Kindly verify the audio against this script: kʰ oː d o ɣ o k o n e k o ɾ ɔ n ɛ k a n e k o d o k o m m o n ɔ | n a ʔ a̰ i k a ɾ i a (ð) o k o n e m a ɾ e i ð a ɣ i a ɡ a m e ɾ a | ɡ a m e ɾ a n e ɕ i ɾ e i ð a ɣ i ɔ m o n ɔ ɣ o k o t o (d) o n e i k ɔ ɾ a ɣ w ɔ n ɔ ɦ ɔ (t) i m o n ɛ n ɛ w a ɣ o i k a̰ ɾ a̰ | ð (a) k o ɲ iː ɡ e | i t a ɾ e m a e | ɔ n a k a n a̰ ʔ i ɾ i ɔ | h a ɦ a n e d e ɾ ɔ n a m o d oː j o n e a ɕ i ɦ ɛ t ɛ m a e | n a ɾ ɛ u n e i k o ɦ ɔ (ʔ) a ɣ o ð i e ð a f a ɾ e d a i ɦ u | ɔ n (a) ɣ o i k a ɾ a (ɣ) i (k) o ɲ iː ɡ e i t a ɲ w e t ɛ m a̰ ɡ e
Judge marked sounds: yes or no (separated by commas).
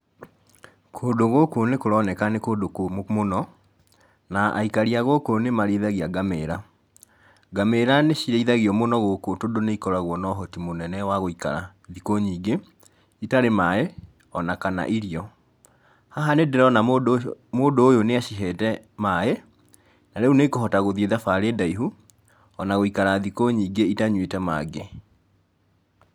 no, yes, yes, no, no, yes, no, yes